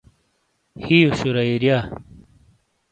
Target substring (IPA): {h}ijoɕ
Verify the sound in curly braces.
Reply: correct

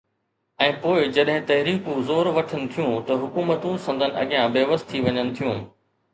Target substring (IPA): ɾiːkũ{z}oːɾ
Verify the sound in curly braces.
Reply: correct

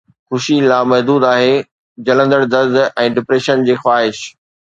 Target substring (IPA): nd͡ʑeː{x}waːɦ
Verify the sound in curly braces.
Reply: correct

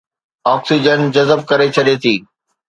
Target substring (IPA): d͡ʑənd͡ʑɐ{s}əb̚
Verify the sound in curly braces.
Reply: incorrect: z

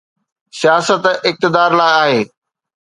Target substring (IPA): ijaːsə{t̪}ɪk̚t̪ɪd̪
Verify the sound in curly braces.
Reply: correct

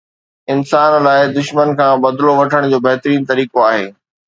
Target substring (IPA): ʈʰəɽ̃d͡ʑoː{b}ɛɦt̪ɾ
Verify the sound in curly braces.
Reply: correct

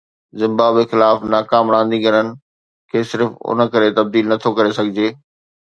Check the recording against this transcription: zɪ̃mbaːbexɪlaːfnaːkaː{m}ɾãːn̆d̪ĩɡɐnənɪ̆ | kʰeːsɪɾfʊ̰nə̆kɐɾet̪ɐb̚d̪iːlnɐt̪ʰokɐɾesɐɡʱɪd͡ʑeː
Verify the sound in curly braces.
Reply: correct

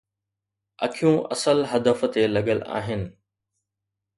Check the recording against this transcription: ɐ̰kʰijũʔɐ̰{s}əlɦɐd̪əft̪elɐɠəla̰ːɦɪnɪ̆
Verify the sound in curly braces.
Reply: correct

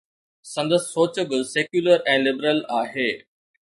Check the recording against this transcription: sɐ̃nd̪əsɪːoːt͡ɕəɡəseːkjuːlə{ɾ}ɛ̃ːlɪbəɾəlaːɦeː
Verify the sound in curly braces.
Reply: correct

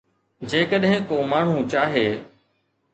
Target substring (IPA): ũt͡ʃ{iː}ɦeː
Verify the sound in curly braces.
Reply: incorrect: aː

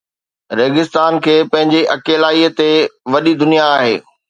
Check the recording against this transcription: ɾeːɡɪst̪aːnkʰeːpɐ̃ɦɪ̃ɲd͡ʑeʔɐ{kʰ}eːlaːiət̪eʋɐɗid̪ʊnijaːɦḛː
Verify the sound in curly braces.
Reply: incorrect: k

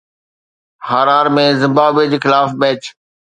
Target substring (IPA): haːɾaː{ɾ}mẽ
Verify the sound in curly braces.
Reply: correct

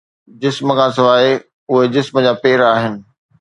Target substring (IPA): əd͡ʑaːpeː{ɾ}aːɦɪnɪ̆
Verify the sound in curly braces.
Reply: correct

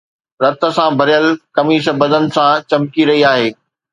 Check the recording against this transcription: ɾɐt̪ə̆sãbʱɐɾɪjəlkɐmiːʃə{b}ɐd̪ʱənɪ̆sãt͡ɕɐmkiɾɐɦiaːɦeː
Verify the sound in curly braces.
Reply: correct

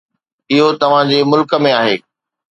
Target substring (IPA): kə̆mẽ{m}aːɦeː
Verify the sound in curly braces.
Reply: incorrect: none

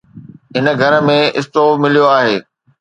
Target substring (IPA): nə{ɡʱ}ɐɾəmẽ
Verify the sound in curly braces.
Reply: correct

